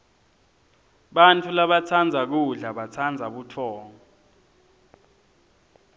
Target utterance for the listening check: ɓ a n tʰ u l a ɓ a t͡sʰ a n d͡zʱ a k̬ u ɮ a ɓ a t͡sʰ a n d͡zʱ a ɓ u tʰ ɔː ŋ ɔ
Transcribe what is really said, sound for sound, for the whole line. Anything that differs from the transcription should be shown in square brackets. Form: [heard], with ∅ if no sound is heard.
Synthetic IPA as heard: ɓ a n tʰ u l a ɓ a t͡sʰ a n d͡zʱ a k̬ u ɮ a ɓ a t͡sʰ a n d͡zʱ a ɓ u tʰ ɔː ŋ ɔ